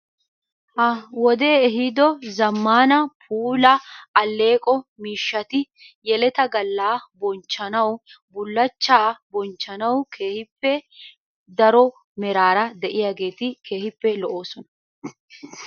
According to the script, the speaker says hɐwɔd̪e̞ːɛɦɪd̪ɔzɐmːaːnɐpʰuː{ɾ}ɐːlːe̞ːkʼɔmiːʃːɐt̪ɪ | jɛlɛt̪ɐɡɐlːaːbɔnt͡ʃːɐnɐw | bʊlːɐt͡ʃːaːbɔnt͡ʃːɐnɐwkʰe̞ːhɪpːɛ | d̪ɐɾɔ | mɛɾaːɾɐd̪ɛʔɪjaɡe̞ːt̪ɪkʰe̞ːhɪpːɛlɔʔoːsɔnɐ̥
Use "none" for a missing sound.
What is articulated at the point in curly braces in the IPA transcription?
l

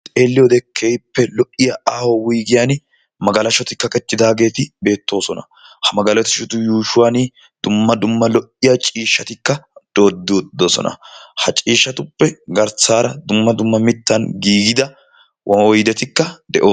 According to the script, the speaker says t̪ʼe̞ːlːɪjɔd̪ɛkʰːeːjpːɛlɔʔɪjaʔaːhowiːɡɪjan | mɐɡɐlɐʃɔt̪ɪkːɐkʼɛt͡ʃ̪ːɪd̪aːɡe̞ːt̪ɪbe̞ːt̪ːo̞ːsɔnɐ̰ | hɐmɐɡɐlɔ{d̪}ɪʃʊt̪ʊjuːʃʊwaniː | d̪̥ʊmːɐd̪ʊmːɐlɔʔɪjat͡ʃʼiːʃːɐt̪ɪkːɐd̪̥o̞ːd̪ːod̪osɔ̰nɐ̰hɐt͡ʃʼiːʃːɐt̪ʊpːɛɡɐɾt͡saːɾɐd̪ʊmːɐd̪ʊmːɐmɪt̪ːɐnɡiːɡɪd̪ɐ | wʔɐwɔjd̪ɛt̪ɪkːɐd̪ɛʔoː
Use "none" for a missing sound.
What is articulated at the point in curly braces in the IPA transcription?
t̪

